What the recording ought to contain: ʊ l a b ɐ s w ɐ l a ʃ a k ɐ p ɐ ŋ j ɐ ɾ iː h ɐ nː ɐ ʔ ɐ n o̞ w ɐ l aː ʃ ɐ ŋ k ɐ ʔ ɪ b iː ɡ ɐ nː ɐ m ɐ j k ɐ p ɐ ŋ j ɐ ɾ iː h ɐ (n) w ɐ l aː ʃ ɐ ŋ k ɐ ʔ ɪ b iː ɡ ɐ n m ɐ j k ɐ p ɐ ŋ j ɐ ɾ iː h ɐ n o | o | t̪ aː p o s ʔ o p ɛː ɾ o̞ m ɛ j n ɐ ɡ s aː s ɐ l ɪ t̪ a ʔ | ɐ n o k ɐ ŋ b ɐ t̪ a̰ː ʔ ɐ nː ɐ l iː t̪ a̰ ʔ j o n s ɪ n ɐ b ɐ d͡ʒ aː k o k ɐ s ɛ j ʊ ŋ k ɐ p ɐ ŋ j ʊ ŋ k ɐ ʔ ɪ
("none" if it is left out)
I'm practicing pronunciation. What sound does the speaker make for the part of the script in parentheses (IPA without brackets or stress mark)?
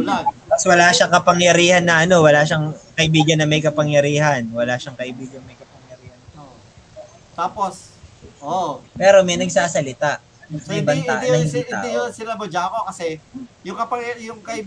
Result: n